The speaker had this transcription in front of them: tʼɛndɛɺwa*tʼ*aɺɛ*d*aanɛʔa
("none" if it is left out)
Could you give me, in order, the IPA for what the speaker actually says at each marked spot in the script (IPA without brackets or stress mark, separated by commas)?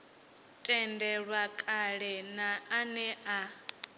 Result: kʼ, n